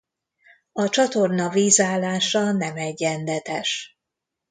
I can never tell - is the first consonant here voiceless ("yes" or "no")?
yes